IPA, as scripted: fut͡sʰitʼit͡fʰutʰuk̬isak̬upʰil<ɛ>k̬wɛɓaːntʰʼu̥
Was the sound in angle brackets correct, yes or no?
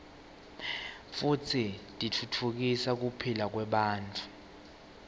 no